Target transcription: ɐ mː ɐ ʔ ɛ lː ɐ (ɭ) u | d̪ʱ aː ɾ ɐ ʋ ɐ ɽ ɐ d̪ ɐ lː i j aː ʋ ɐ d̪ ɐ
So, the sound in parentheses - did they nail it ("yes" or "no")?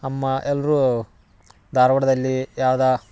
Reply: no